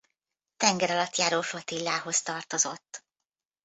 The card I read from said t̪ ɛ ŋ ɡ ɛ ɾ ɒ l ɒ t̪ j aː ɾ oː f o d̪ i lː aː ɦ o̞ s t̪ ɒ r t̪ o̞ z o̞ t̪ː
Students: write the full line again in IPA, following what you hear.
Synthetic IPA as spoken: t̪ ɛ ŋ ɡ ɛ ɾ ɒ l ɒ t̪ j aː ɾ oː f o t̪ i lː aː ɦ o̞ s t̪ ɒ r t̪ o̞ z o̞ t̪ː